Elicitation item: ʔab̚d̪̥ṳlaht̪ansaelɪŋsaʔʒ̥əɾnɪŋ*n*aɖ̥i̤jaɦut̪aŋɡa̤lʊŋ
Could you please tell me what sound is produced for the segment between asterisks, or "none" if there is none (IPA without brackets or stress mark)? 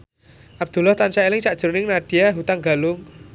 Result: n